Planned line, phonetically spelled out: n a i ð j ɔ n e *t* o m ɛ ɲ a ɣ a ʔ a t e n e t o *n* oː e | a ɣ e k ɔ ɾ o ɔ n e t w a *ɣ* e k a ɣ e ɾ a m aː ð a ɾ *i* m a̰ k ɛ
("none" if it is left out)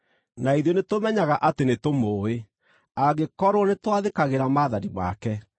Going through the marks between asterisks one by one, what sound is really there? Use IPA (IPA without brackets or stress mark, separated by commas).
t, m, ð, i